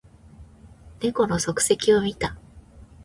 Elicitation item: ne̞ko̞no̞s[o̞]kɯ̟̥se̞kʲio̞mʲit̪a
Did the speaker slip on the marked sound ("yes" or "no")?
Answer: no